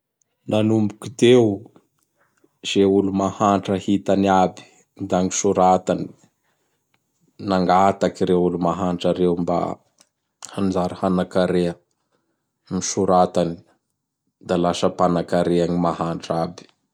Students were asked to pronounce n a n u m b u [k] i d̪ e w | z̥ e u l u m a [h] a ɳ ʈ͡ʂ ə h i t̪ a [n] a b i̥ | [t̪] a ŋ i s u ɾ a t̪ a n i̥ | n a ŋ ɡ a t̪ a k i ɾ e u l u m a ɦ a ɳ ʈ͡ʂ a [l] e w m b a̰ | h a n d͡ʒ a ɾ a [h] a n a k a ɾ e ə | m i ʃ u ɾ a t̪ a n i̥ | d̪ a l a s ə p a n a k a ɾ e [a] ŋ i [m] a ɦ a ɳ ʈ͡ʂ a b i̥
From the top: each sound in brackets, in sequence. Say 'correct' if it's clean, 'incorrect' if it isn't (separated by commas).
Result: correct, correct, correct, incorrect, incorrect, correct, correct, correct